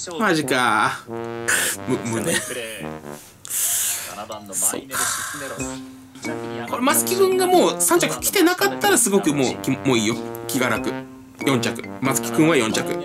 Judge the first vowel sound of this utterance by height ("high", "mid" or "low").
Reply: low